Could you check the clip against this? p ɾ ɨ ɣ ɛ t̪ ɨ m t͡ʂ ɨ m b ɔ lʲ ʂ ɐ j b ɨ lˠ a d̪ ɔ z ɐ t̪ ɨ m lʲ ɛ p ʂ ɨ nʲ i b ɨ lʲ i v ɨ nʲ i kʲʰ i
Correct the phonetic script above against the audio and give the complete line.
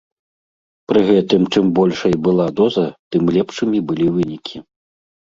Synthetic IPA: p ɾ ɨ ɣ ɛ t̪ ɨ m t͡ʂ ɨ m b ɔ lʲ ʂ ɐ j b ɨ lˠ a d̪ ɔ z ɐ t̪ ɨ m lʲ ɛ p ʂ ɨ mʲ i b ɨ lʲ i v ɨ nʲ i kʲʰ i